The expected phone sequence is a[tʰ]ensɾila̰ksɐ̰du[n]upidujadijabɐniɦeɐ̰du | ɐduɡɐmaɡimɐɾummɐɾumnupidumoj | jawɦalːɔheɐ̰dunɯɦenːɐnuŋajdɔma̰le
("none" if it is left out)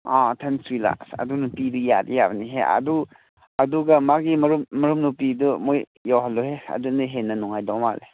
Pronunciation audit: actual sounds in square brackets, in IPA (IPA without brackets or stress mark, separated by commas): tʰ, n